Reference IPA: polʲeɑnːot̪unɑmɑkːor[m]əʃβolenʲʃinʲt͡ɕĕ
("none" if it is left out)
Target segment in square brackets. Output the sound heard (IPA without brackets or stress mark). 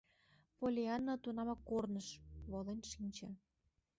n